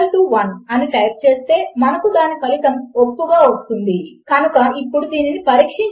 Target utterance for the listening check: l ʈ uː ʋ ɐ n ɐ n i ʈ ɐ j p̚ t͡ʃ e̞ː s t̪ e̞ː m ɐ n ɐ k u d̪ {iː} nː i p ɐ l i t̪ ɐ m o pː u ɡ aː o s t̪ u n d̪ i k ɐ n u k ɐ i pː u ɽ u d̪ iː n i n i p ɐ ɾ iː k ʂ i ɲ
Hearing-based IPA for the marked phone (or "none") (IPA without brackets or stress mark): aː